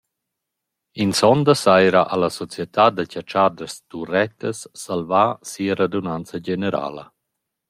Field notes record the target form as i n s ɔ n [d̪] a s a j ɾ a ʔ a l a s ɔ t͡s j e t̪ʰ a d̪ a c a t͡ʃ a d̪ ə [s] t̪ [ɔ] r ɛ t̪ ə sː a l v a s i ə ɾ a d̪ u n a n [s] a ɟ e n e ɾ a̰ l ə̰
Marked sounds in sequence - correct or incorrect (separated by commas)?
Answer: correct, correct, incorrect, incorrect